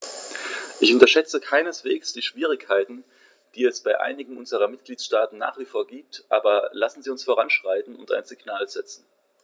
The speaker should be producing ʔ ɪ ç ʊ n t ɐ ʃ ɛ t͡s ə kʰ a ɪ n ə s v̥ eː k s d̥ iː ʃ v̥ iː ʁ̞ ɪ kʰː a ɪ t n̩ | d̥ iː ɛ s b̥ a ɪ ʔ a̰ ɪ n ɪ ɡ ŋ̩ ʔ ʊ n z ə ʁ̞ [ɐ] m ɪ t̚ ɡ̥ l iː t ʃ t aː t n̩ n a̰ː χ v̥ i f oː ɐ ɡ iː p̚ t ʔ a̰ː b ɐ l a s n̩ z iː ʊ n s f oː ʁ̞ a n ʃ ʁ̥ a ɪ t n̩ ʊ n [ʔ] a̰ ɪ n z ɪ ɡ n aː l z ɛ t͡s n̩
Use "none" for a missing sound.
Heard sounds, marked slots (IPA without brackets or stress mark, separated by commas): ɐ, t